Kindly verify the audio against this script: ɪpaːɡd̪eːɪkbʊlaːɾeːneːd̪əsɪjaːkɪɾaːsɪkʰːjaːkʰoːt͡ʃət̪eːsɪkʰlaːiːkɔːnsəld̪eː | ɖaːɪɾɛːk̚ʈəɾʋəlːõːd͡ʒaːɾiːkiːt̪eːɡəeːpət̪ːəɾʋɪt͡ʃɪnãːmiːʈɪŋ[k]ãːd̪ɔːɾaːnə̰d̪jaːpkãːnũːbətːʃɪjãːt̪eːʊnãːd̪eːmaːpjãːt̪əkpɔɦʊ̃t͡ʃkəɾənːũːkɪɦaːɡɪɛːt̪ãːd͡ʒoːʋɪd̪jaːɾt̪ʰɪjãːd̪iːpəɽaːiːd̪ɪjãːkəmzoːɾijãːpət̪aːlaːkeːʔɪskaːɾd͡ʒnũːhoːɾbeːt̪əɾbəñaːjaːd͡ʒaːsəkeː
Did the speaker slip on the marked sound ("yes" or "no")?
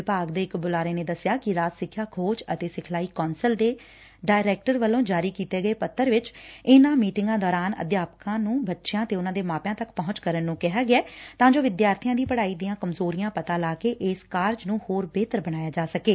yes